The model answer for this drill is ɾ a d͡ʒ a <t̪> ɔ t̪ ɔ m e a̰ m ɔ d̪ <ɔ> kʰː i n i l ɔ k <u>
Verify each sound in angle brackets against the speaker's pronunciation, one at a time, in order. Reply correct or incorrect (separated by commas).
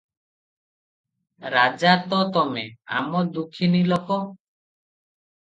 correct, incorrect, incorrect